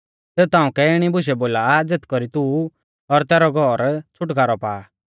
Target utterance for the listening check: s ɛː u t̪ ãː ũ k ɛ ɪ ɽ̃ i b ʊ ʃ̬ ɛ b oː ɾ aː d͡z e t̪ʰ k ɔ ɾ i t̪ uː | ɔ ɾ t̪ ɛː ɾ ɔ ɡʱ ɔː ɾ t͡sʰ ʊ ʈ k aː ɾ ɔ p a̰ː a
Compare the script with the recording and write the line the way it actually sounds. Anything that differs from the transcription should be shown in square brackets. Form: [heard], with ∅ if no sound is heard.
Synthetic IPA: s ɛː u t̪ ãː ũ k ɛ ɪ ɽ̃ i b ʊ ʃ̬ ɛ b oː [l] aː d͡z e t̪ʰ k ɔ ɾ i t̪ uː | ɔ ɾ t̪ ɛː ɾ ɔ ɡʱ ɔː ɾ t͡sʰ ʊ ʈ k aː ɾ ɔ p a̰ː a